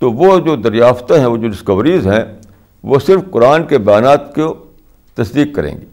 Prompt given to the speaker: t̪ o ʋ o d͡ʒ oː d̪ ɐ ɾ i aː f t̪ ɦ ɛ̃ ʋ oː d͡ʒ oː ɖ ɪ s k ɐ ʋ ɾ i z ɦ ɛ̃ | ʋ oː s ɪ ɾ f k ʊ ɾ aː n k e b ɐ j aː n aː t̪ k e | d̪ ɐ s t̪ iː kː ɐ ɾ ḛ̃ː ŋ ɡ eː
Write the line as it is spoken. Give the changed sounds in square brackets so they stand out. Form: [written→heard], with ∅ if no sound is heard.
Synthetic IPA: t̪ o ʋ o d͡ʒ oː d̪ ɐ ɾ [i→j] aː f t̪ ɦ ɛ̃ ʋ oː d͡ʒ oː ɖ ɪ s k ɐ ʋ ɾ i z ɦ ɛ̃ | ʋ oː s ɪ ɾ f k ʊ ɾ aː n k e b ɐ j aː n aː t̪ k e | [d̪→t̪] ɐ s [t̪→d̪] iː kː ɐ ɾ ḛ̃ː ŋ ɡ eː